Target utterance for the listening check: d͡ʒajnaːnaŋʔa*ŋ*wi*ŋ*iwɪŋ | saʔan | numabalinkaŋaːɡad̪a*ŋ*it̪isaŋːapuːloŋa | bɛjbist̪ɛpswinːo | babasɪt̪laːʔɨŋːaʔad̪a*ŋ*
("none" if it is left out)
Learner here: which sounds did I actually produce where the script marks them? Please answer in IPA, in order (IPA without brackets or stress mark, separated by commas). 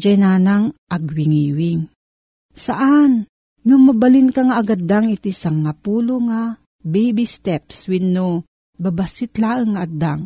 ɡ, ŋ, ŋ, ŋ